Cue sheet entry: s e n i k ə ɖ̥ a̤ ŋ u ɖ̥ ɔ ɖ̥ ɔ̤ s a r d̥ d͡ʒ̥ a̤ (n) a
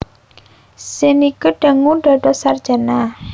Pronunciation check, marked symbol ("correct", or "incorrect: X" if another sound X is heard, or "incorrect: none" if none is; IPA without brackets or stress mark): correct